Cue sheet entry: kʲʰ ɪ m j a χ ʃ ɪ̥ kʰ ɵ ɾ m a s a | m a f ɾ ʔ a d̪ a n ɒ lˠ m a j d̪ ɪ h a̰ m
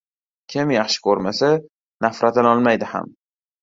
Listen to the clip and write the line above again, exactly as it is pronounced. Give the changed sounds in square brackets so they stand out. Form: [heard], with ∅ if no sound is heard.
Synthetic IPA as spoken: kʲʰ ɪ m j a χ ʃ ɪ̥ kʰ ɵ ɾ m a s a | [n] a f ɾ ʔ a [t̪] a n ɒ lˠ m a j d̪ ɪ h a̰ m